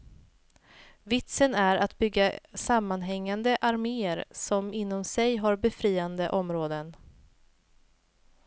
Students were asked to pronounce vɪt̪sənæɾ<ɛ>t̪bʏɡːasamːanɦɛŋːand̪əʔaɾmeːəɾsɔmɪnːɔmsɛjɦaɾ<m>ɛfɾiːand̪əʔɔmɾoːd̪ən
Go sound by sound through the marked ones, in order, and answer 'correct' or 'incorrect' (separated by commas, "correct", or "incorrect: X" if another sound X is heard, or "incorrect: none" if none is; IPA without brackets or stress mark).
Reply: incorrect: a, incorrect: b